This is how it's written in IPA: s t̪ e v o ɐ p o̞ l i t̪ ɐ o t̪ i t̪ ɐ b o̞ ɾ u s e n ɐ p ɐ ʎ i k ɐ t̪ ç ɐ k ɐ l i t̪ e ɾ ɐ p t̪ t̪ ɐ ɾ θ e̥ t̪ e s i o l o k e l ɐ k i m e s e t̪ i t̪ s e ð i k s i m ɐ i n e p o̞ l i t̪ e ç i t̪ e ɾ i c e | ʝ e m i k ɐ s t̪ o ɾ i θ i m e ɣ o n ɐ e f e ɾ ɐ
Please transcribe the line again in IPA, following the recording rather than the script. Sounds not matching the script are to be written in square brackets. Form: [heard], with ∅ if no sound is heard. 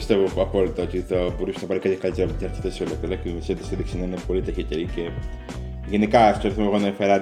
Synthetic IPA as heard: s t̪ e v o ɐ p o̞ l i t̪ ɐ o t̪ i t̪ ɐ b o̞ ɾ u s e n ɐ p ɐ [ɾ] i k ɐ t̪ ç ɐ k ɐ l i t̪ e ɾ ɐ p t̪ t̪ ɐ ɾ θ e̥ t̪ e s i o l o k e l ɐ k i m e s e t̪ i [∅] s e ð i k s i [n] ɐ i n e p o̞ l i t̪ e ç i t̪ e ɾ i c e | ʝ e [n] i k ɐ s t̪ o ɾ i θ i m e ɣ o n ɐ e f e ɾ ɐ